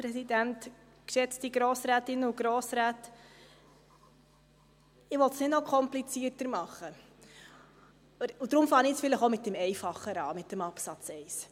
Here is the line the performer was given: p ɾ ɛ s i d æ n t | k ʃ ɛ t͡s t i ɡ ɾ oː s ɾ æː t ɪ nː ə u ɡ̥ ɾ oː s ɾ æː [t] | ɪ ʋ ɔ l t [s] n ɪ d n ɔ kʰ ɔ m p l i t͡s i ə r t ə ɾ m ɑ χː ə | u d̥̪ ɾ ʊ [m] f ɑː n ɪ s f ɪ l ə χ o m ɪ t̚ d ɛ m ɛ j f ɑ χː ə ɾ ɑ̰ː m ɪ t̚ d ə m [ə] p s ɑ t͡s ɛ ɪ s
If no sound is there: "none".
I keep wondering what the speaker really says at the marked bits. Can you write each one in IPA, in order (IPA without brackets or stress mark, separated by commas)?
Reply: t, s, m, ɑ